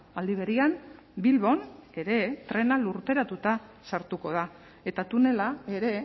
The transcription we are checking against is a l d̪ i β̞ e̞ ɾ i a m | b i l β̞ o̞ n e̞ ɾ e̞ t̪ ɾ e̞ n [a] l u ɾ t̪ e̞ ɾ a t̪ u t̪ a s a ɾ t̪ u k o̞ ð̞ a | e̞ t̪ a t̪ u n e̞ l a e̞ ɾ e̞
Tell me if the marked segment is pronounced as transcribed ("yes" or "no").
yes